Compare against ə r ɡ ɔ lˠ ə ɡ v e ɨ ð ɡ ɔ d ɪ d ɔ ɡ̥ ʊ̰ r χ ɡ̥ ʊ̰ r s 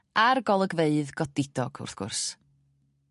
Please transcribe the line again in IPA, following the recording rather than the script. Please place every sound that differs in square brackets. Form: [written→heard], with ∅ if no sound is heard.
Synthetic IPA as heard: [ə→a] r ɡ ɔ lˠ ə ɡ v e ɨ ð ɡ ɔ d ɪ d ɔ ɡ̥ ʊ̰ r [χ→θ] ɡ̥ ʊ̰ r s